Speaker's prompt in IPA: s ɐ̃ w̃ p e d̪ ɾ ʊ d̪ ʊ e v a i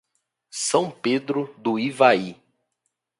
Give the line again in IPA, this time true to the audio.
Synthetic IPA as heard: s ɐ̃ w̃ p e d̪ ɾ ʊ d̪ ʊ i v a i